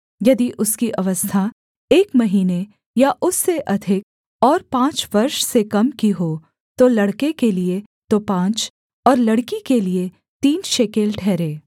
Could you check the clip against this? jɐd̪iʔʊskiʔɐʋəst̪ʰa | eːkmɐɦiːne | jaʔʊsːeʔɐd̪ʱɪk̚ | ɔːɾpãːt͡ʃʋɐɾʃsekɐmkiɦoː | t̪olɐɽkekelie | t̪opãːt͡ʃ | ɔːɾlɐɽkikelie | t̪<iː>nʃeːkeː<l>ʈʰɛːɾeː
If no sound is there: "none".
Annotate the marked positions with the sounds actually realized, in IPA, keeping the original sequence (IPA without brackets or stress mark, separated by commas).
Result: iː, l